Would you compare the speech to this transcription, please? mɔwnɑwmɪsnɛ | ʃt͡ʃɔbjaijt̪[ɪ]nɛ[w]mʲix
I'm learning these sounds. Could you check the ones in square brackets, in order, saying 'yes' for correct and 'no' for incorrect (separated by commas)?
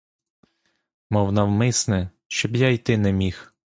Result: yes, no